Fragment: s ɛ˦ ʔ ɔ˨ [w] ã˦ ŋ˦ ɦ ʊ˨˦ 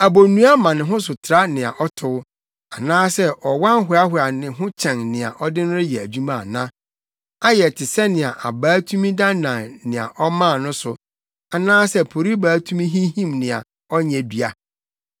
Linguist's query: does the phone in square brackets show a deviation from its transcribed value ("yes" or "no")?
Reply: no